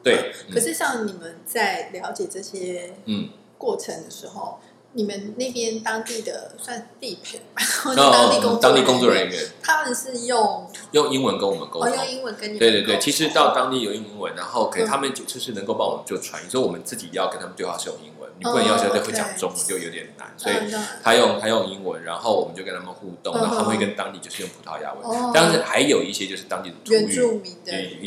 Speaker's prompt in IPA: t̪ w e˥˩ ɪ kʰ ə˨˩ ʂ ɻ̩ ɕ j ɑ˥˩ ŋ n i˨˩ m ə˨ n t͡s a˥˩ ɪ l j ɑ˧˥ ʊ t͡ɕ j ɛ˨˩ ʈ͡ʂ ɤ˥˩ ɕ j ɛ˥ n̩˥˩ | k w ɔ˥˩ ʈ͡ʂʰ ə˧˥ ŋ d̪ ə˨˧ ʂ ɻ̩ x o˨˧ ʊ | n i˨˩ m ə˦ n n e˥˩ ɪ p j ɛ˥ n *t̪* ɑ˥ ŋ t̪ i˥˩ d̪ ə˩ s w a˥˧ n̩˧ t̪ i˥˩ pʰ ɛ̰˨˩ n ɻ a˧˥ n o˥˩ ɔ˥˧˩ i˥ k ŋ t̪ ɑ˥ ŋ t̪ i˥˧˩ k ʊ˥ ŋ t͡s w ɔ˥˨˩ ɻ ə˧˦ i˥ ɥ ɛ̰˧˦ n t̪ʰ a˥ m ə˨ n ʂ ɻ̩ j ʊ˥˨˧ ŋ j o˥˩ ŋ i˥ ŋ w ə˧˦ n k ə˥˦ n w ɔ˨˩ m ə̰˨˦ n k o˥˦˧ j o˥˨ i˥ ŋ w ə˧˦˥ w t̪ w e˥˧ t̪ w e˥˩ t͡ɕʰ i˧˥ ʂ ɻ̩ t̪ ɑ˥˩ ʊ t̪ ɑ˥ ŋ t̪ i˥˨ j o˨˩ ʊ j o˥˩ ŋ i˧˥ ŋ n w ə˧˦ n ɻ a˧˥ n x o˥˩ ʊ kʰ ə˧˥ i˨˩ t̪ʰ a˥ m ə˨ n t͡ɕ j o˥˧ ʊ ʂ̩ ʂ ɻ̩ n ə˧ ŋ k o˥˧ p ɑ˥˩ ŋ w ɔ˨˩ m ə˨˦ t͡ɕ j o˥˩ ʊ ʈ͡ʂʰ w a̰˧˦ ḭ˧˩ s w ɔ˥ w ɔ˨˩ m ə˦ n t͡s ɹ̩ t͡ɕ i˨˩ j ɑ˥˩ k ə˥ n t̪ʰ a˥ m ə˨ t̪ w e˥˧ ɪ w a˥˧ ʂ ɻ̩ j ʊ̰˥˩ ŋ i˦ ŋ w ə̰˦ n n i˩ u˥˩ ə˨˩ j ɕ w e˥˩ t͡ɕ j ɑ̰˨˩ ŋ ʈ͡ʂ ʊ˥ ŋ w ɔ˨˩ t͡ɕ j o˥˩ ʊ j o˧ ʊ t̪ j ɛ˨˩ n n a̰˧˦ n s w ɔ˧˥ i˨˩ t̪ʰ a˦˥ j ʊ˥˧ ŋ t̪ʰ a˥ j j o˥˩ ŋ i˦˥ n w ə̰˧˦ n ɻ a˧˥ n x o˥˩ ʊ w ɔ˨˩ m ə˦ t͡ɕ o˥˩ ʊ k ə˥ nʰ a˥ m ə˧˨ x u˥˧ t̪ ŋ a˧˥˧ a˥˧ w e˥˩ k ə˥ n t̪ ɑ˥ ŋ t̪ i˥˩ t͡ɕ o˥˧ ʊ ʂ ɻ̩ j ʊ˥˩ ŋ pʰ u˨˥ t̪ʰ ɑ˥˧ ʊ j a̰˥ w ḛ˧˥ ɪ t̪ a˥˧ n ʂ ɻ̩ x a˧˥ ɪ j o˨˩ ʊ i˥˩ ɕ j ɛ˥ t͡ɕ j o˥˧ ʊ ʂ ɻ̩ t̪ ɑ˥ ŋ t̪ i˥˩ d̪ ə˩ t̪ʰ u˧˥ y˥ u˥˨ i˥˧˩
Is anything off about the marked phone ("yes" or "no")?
no